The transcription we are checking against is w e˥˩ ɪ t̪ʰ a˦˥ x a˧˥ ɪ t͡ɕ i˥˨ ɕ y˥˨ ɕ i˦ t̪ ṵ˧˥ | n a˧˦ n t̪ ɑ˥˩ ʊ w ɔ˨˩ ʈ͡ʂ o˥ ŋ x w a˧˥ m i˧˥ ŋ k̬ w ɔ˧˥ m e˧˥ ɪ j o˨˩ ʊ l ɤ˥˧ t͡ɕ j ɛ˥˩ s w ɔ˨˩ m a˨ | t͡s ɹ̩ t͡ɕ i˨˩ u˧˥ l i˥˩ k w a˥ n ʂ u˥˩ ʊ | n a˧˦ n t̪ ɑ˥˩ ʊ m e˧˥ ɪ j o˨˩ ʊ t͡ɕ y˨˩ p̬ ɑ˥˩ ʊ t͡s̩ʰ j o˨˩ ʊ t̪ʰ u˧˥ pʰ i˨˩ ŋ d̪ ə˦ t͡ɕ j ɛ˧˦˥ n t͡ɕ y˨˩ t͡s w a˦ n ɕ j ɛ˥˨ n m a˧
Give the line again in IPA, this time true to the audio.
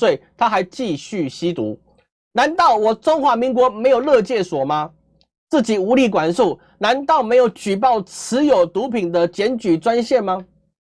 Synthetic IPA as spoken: w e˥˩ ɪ t̪ʰ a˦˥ x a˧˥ ɪ t͡ɕ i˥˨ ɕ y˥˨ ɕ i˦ t̪ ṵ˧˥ | n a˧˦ n t̪ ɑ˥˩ ʊ w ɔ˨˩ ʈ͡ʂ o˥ ŋ x w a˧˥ m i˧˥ ŋ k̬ w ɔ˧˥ m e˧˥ ɪ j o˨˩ ʊ l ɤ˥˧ t͡ɕ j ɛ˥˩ s w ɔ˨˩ m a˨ | t͡s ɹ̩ t͡ɕ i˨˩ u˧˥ l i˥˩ k w a˨˩ n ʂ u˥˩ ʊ | n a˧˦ n t̪ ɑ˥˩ ʊ m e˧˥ ɪ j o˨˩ ʊ t͡ɕ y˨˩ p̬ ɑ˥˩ ʊ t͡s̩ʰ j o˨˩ ʊ t̪ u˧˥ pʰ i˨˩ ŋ d̪ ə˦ t͡ɕ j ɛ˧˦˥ n t͡ɕ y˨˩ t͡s w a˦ n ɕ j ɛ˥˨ n m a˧